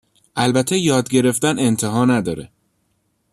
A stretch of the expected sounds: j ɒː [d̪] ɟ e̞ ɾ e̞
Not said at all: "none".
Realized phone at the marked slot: d̪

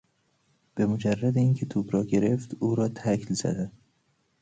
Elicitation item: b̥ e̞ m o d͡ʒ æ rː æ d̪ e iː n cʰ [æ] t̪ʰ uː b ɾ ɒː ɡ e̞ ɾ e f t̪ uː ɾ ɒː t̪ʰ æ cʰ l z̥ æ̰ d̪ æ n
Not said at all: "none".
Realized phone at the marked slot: e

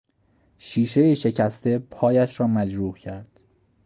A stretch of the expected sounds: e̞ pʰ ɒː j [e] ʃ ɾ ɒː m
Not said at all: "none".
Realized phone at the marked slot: æ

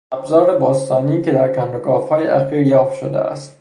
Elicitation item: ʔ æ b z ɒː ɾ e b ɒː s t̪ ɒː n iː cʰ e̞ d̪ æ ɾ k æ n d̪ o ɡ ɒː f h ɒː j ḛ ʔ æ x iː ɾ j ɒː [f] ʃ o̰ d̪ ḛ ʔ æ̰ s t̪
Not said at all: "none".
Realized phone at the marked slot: f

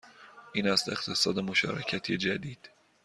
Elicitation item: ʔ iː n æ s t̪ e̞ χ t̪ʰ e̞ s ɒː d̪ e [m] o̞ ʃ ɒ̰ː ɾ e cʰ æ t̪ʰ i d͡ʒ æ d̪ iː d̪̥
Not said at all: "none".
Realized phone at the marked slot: m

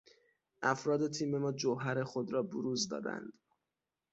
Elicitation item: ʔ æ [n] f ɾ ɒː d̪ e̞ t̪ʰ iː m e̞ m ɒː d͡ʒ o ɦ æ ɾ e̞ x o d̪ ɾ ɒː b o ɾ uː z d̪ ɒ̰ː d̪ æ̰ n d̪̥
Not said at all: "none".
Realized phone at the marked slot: none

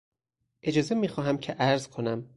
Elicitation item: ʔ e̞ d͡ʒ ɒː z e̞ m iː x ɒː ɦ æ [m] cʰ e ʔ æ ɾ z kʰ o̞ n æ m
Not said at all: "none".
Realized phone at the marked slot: m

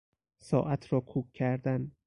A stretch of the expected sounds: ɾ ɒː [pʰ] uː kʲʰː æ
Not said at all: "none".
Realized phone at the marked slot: kʰ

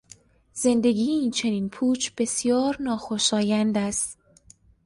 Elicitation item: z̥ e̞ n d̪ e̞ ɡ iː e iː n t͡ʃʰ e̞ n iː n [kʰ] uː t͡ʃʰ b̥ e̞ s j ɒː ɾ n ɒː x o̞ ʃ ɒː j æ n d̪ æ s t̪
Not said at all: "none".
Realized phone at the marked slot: pʰ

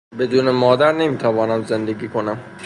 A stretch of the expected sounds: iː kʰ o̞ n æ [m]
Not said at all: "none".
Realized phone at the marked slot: m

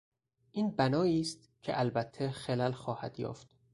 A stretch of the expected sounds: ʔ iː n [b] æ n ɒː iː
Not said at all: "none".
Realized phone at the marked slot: b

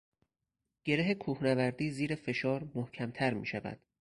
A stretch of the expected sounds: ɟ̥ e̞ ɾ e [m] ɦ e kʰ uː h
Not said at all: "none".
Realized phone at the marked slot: none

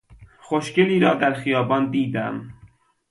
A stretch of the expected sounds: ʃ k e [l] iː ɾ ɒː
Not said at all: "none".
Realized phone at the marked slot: l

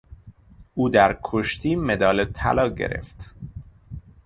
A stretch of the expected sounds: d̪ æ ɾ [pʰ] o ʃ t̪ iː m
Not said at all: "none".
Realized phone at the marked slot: kʰ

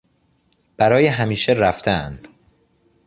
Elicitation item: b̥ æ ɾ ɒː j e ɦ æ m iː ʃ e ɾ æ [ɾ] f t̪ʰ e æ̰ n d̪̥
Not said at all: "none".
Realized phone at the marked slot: none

